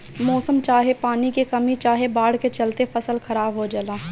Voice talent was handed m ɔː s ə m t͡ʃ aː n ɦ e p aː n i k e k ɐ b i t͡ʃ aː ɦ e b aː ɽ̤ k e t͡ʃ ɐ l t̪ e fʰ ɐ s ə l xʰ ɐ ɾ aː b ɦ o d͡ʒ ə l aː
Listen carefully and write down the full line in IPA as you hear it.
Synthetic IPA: m ɔː s ə m t͡ʃ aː ɦ e p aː n i k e k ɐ m i t͡ʃ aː ɦ e b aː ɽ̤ k e t͡ʃ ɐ l t̪ e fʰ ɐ s ə l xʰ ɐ ɾ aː b ɦ o d͡ʒ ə l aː